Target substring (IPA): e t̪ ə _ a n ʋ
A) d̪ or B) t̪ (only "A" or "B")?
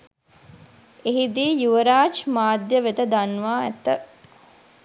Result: A